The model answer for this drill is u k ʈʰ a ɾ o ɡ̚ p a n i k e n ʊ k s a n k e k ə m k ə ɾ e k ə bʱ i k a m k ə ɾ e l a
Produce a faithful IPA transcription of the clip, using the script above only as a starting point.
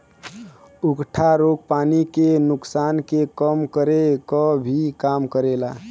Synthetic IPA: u k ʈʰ a ɾ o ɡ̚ p a n i k e n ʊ k s a n k e k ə m k ə ɾ e k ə bʱ i k a m k ə ɾ e l a